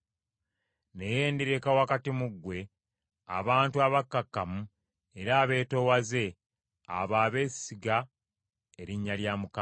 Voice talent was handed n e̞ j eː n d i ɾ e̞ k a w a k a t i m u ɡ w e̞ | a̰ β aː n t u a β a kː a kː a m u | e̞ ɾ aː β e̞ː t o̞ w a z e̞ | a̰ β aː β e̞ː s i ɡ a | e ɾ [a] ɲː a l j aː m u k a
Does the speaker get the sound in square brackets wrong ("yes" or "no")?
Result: yes